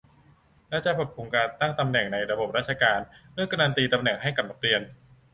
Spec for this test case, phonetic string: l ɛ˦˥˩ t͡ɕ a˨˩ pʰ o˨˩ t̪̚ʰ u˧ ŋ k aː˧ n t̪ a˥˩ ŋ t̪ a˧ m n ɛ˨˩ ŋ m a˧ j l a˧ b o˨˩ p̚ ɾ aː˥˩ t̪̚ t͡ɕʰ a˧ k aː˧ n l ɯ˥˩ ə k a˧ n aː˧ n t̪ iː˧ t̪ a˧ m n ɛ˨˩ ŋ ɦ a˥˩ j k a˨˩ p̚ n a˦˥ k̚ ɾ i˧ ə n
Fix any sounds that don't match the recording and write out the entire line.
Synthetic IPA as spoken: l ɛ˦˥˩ t͡ɕ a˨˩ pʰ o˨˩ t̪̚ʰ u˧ ŋ k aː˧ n t̪ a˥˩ ŋ t̪ a˧ m n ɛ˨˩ ŋ n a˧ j ɾ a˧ b o˨˩ p̚ ɾ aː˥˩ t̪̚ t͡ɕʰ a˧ k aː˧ n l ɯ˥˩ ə k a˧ n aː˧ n t̪ iː˧ t̪ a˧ m n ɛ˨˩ ŋ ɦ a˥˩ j k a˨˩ p̚ n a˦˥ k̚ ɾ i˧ ə n